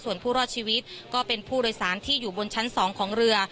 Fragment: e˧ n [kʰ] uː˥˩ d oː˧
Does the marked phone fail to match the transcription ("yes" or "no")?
yes